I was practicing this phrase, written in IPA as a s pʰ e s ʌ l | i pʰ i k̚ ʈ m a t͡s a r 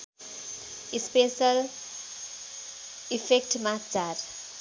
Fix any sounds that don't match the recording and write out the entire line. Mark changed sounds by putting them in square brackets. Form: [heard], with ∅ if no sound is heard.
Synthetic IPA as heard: [i] s [p] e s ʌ l | i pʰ [e] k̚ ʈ m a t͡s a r